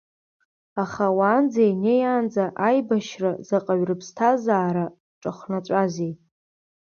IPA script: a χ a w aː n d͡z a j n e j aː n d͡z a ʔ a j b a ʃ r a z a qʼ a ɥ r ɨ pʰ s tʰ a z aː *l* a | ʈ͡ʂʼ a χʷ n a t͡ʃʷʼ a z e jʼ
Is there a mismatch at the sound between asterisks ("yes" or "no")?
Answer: yes